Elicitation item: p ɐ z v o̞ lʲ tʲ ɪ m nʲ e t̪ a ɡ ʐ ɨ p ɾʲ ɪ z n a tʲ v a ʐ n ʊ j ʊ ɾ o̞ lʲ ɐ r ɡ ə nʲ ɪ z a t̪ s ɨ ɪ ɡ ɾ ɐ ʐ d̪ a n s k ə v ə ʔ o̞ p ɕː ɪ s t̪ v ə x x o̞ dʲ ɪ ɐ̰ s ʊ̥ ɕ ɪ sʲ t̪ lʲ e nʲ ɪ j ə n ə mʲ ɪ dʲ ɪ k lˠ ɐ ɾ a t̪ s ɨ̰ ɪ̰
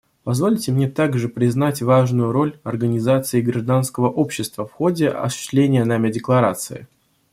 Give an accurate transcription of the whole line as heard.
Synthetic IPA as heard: p ɐ z v o̞ lʲ tʲ ɪ m nʲ e t̪ a ɡ ʐ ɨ p ɾʲ ɪ z n a tʲ v a ʐ n ʊ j ʊ ɾ o̞ lʲ ɐ r ɡ ə nʲ ɪ z a t̪ s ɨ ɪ ɡ ɾ ɐ ʐ d̪ a n s k ə v ə ʔ o̞ p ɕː ɪ s t̪ v ə f x o̞ dʲ ɪ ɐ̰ s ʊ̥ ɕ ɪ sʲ t̪ lʲ e nʲ ɪ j ə n a mʲ ɪ dʲ ɪ k lˠ ɐ ɾ a t̪ s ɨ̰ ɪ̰